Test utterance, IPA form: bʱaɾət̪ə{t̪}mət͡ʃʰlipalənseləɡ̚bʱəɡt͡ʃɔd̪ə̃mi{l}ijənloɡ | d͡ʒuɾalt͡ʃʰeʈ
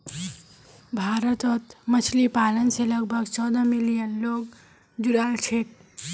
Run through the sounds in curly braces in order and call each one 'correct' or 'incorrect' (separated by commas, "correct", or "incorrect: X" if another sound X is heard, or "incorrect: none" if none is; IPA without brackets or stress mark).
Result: correct, correct